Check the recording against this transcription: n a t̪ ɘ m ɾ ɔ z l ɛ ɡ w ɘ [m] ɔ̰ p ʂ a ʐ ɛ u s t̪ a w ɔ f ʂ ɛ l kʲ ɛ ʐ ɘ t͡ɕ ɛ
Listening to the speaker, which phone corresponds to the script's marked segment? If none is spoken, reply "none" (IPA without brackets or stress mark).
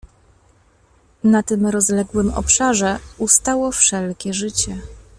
m